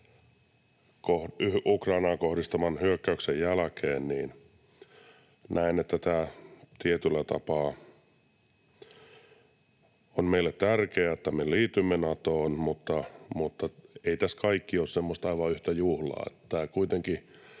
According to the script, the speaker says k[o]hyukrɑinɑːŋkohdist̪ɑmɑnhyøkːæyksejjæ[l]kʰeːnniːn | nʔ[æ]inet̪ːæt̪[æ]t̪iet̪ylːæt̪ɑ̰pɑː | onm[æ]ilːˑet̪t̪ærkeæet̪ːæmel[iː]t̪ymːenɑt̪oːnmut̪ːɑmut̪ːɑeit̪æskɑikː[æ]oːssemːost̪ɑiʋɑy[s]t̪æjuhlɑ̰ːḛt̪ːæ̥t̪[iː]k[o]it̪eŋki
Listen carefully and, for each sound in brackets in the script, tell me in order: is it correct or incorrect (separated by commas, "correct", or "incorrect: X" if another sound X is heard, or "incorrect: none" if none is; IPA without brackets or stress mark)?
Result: correct, correct, correct, incorrect: æː, incorrect: e, correct, incorrect: i, incorrect: h, incorrect: æː, incorrect: u